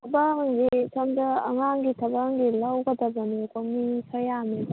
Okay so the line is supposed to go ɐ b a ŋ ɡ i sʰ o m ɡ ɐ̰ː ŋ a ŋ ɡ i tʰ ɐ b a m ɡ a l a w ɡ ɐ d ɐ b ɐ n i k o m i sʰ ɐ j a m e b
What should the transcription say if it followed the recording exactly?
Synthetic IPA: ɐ b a ŋ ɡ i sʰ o m d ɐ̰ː ŋ a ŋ ɡ i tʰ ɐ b a ŋ ɡ i l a w ɡ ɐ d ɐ b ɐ n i k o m i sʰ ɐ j a m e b

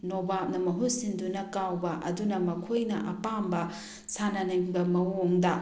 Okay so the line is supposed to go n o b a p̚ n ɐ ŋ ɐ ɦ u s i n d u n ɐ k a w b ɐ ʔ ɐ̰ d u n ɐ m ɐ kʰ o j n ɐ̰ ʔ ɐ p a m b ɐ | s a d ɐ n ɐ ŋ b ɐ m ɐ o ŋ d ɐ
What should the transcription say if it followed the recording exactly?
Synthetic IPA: n o b a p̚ n ɐ m ɐ ɦ u s i n d u n ɐ k a w b ɐ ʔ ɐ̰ d u n ɐ m ɐ kʰ o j n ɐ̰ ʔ ɐ p a m b ɐ | s a n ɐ n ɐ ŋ b ɐ m ɐ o ŋ d ɐ

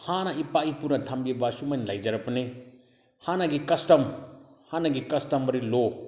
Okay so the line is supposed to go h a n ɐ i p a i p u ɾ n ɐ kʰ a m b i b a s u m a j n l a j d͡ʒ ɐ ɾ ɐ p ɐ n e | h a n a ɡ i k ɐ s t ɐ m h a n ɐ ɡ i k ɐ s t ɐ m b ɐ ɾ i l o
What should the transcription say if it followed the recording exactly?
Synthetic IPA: h a n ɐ i p a i p u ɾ n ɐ tʰ a m b i b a s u m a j n l a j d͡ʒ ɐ ɾ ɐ p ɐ n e | h a n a ɡ i k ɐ s t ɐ m h a n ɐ ɡ i k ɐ s t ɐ m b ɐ ɾ i l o

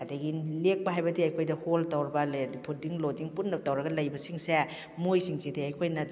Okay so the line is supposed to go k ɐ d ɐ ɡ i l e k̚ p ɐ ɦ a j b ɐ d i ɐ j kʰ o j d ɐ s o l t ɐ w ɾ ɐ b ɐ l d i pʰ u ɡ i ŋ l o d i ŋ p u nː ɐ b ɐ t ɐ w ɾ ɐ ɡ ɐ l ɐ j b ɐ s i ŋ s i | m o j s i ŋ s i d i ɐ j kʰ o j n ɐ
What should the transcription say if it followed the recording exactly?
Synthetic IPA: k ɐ d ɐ ɡ i l e k̚ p ɐ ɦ a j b ɐ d i ɐ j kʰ o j d ɐ h o l t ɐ w ɾ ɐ b ɐ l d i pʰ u d i ŋ l o d i ŋ p u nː ɐ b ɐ t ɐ w ɾ ɐ ɡ ɐ l ɐ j b ɐ s i ŋ s e | m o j s i ŋ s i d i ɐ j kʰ o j n ɐ

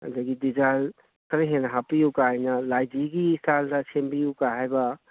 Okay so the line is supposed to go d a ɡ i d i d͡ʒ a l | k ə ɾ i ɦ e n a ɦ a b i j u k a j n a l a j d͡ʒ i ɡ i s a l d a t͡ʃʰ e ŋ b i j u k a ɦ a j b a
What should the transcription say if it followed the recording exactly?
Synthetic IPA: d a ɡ i d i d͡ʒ a l | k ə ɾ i ɦ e n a ɦ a p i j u k a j n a l a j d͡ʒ i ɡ i s a l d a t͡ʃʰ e m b i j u k a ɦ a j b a

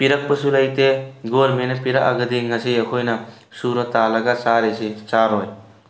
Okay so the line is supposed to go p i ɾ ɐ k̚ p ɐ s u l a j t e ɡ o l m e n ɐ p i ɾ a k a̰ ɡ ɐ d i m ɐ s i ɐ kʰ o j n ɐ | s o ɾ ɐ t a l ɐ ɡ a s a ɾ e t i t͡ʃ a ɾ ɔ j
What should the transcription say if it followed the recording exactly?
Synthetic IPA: p i ɾ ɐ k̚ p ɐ s u l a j t e ɡ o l m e n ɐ p i ɾ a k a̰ ɡ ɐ d i ŋ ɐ s i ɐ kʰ o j n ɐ | s u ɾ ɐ t a l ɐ ɡ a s a ɾ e s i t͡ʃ a ɾ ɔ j

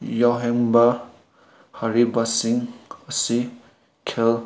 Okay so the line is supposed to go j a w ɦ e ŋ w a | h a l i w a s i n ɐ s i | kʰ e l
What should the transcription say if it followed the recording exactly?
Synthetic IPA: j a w ɦ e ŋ b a | h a ɾ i b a s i ŋ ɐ s i | kʰ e l

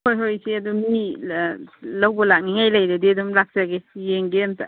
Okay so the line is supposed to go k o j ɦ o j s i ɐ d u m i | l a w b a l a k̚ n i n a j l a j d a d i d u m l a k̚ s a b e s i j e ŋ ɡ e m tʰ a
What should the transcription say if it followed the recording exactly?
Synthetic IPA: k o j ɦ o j s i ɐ d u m i | l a w b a l a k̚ n i ŋ a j l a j d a d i d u m l a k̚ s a ɡ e s i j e ŋ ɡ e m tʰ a

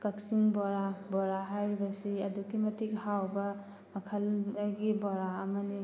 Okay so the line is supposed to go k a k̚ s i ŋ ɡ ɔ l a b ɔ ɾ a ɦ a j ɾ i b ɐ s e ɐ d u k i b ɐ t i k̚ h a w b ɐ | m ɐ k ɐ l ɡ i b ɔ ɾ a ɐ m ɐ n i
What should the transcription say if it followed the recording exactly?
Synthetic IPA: k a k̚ s i ŋ b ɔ ɾ a b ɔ ɾ a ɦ a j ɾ i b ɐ s i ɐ d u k i m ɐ t i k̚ h a w b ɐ | m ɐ kʰ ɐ l ɡ i b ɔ ɾ a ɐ m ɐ n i

